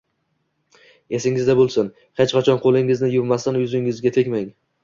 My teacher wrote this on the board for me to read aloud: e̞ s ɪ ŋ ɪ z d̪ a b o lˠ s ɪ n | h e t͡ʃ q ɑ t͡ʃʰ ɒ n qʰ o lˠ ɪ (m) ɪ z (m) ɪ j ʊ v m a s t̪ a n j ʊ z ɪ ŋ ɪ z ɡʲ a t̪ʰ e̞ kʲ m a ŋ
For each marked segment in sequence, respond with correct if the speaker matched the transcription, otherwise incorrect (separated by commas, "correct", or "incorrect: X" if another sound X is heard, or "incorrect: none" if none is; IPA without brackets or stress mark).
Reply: incorrect: ŋ, incorrect: n